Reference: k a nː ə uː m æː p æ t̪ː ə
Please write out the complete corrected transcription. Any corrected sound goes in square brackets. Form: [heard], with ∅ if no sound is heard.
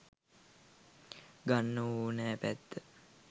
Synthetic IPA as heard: [ɡ] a nː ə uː [n] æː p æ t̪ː ə

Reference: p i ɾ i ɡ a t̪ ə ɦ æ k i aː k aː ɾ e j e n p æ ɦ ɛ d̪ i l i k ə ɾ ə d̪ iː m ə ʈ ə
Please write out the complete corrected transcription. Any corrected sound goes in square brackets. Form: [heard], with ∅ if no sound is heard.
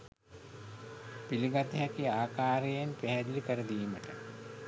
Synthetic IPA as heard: p i [l] i ɡ a t̪ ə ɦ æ k i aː k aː ɾ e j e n p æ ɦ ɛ d̪ i l i k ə ɾ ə d̪ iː m ə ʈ ə

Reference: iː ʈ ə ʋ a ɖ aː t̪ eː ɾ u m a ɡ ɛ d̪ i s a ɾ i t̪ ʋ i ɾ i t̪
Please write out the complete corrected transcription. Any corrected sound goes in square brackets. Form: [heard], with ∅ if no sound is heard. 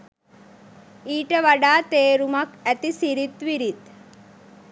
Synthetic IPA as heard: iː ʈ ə ʋ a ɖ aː t̪ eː ɾ u m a [k] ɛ [t̪] i s [i] ɾ i t̪ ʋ i ɾ i t̪

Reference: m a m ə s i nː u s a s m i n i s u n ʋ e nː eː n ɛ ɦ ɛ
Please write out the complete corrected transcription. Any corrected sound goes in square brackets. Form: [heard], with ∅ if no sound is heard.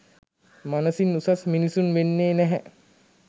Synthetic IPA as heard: m a [n] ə s i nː u s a s m i n i s u n ʋ e nː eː n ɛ ɦ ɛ

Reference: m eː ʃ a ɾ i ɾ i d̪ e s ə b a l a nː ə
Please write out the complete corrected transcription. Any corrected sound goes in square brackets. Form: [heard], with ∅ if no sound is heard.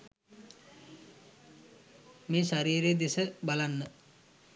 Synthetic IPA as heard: m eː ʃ a ɾ [iː] ɾ [e] d̪ e s ə b a l a nː ə

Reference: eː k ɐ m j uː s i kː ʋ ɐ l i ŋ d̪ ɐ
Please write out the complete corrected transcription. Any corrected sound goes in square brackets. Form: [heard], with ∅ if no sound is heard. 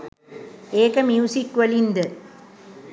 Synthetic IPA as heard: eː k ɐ m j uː s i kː ʋ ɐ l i [n] d̪ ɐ

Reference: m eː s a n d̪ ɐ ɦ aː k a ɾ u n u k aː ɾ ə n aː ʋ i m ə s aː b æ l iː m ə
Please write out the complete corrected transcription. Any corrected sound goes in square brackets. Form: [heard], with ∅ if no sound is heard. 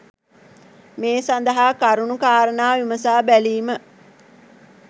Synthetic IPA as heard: m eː s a n d̪ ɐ ɦ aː k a ɾ u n u k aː ɾ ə n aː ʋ i m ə s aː b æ l iː m ə

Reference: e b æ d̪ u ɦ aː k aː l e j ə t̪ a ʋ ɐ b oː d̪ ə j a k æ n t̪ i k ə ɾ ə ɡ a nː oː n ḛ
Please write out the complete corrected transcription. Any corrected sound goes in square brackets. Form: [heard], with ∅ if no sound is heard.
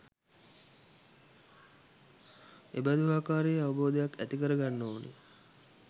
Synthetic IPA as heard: e b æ d̪ u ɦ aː k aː [ɾ] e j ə [∅] a ʋ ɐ b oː d̪ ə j a k æ [∅] t̪ i k ə ɾ ə ɡ a nː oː n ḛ

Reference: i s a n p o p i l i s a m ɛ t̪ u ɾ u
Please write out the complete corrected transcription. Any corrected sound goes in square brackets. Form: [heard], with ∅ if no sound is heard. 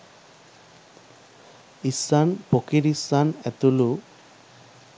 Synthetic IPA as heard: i s a n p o [k] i [ɾ] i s a [n] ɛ t̪ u [l] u

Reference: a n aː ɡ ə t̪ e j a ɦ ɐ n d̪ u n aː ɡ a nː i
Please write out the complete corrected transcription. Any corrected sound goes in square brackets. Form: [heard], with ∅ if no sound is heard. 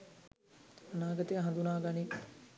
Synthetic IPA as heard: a n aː ɡ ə t̪ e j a ɦ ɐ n d̪ u n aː ɡ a [n] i

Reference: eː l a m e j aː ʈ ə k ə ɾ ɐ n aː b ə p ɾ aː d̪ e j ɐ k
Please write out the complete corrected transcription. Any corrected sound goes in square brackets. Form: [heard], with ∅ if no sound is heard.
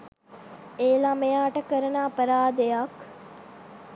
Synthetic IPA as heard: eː l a m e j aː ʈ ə k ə ɾ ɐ n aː [p] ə [∅] ɾ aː d̪ e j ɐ k

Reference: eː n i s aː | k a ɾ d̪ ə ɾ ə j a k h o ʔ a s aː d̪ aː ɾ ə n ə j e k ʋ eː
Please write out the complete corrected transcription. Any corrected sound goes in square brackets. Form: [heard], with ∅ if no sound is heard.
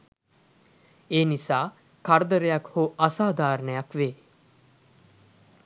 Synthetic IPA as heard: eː n i s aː | k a ɾ d̪ ə ɾ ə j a k h o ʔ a s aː d̪ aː ɾ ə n ə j [a] k ʋ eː

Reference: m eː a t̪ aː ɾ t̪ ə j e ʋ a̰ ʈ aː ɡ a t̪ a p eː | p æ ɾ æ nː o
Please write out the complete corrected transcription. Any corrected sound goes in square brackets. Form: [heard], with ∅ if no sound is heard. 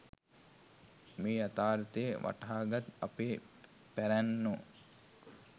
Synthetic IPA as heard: m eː a t̪ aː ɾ t̪ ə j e ʋ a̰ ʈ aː ɡ a t̪ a p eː | p æ ɾ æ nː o

